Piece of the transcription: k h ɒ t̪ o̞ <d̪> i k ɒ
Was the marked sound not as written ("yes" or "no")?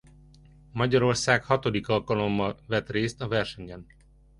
no